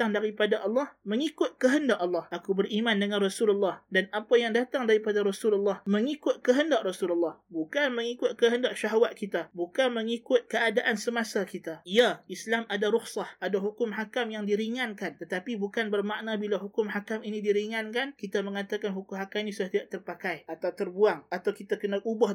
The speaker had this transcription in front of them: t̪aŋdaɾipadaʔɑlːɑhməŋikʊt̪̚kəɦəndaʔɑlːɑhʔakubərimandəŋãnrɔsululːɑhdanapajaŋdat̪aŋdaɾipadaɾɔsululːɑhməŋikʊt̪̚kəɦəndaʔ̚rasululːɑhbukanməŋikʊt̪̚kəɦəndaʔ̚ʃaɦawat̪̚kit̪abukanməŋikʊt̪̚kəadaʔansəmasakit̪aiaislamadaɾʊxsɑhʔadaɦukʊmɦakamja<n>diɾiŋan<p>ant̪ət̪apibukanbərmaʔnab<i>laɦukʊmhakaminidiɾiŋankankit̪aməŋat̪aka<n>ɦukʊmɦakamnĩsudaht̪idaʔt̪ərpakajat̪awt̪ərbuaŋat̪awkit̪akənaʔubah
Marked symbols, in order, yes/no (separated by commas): no, no, yes, yes